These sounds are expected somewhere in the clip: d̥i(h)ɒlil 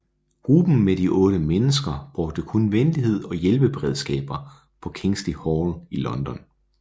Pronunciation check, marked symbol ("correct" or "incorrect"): correct